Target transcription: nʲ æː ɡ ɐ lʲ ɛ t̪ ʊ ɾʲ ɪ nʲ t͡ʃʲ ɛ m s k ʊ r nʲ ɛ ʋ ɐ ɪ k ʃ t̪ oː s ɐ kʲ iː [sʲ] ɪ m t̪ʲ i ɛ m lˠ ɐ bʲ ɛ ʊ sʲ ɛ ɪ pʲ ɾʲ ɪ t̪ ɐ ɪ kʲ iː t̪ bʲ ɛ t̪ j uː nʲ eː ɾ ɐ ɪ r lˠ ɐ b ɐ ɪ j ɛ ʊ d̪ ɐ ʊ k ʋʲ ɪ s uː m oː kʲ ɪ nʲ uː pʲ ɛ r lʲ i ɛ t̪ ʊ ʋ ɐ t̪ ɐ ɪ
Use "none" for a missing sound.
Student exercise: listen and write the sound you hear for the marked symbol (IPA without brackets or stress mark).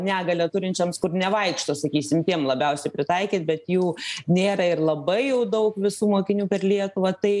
sʲ